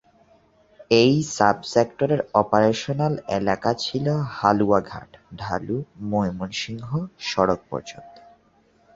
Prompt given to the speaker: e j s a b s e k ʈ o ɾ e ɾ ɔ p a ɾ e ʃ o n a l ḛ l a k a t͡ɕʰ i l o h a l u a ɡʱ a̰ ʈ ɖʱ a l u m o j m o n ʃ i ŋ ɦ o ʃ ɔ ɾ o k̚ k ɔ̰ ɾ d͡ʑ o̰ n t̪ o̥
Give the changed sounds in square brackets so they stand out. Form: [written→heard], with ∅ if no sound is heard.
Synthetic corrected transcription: e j s a b s e k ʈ o ɾ e ɾ ɔ p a ɾ e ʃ o n a l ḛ l a k a t͡ɕʰ i l o h a l u a ɡʱ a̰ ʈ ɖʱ a l u m o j m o n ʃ i ŋ ɦ o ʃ ɔ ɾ o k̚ [k→p] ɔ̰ ɾ d͡ʑ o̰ n t̪ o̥